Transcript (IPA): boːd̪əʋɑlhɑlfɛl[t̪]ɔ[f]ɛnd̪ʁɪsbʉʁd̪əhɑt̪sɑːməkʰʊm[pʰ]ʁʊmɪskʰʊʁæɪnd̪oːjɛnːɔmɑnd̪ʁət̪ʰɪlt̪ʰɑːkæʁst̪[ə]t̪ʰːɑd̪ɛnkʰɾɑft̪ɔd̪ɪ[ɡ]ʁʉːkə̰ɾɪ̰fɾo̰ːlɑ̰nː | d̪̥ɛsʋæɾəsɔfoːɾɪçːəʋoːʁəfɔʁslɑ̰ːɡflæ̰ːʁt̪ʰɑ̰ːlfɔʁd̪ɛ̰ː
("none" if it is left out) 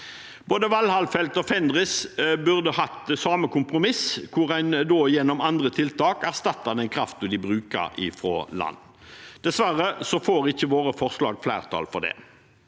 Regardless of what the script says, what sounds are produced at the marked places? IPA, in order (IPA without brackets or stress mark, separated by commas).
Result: t̪, f, p, ɑ, b